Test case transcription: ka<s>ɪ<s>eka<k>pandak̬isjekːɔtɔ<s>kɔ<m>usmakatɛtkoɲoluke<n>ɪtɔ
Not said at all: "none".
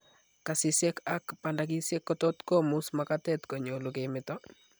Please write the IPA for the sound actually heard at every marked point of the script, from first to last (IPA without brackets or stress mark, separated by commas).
s, s, k, t, m, m